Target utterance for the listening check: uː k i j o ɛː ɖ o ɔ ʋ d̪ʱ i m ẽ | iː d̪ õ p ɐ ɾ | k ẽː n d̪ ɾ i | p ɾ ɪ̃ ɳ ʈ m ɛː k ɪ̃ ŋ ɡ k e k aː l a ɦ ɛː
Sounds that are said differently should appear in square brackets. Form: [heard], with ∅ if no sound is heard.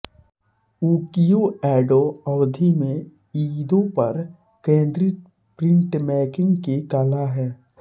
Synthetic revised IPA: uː k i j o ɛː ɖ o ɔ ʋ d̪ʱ i m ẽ | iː d̪ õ p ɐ ɾ | k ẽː n d̪ ɾ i | p ɾ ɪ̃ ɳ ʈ m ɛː k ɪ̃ ŋ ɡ k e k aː l a ɦ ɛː